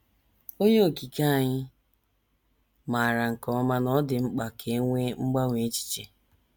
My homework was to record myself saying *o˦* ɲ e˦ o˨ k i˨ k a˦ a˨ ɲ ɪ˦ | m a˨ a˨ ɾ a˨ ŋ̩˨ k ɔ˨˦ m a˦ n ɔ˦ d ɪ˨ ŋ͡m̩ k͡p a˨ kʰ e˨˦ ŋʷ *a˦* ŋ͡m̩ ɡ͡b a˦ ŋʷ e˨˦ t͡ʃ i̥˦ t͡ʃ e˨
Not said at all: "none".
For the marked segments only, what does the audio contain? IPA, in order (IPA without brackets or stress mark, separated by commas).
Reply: o˦, e˦